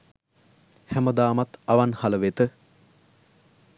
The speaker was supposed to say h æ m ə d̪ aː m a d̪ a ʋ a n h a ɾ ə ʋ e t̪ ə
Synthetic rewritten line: h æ m ə d̪ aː m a t̪ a ʋ a n h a l ə ʋ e t̪ ə